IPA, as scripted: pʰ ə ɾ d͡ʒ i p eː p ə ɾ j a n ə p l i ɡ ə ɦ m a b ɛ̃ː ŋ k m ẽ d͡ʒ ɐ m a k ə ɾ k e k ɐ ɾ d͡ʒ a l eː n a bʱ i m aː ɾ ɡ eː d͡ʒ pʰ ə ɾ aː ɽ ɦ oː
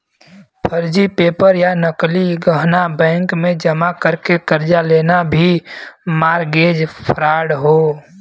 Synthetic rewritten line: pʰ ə ɾ d͡ʒ i p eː p ə ɾ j a n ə k l i ɡ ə ɦ n a b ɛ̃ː ŋ k m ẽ d͡ʒ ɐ m a k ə ɾ k e k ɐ ɾ d͡ʒ a l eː n a bʱ i m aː ɾ ɡ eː d͡ʒ pʰ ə ɾ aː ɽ ɦ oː